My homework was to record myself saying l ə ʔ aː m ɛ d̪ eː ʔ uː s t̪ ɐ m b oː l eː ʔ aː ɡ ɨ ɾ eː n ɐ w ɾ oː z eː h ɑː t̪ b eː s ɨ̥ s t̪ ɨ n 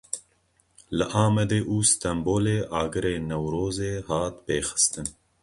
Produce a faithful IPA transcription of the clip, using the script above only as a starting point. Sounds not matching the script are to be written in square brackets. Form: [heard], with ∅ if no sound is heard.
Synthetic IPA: l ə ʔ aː m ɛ d̪ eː ʔ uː s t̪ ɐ m b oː l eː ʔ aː ɡ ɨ ɾ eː n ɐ w ɾ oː z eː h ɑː t̪ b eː [x] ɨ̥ s t̪ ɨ n